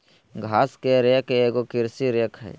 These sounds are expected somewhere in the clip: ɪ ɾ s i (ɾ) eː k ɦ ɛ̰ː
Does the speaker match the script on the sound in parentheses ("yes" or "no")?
yes